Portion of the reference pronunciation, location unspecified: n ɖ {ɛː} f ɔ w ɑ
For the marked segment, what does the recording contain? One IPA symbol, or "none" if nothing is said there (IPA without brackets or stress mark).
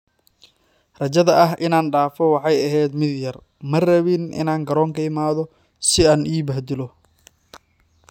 aː